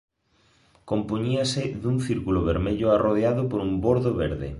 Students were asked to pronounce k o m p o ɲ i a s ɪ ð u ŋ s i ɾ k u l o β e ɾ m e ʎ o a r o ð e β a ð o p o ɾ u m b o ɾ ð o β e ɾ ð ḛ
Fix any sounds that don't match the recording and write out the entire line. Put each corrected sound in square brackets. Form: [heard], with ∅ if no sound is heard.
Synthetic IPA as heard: k o m p o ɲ i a s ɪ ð u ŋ [θ] i ɾ k u l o β e ɾ m e ʎ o a r o ð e [∅] a ð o p o ɾ u m b o ɾ ð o β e ɾ ð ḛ